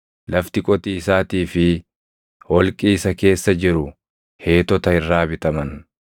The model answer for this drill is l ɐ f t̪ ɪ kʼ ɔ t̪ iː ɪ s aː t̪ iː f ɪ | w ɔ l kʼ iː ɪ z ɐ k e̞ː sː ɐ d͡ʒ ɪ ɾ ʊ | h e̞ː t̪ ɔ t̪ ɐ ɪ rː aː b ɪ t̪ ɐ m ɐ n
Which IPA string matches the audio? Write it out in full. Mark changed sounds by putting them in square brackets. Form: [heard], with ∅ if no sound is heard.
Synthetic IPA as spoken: l ɐ f t̪ ɪ kʼ ɔ t̪ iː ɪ s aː t̪ iː f ɪ | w ɔ l kʼ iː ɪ [s] ɐ k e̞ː sː ɐ d͡ʒ ɪ ɾ ʊ | h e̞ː t̪ ɔ t̪ ɐ ɪ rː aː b ɪ t̪ ɐ m ɐ n